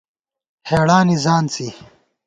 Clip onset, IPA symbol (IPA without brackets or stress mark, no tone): h